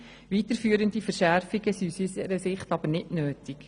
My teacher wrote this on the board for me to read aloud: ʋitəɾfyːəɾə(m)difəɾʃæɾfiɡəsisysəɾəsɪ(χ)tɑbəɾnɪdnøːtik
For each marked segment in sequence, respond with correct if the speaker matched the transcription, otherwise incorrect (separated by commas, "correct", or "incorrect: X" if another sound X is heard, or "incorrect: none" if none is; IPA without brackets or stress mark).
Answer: incorrect: n, correct